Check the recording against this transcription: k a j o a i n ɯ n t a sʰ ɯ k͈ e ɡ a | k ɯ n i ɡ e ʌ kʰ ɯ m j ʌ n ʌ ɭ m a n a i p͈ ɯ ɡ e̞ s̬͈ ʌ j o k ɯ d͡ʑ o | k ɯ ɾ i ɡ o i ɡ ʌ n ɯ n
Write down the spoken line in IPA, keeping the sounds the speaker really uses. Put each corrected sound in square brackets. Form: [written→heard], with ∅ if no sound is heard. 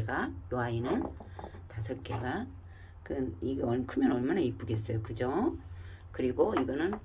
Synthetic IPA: [k→ɡ] a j o a i n ɯ n t a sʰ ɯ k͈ e ɡ a | k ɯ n i ɡ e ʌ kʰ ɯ m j ʌ n ʌ ɭ m a n a i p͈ ɯ ɡ e̞ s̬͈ ʌ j o k ɯ d͡ʑ o | k ɯ ɾ i ɡ o i ɡ ʌ n ɯ n